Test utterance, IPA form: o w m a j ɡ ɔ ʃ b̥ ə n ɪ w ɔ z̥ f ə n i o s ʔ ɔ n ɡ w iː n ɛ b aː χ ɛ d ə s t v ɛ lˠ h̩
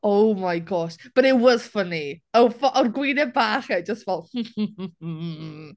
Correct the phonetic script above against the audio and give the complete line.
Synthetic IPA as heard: o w m a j ɡ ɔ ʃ b̥ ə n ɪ w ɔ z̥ f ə n i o f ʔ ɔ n ɡ w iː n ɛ b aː χ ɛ d͡ʒ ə s t v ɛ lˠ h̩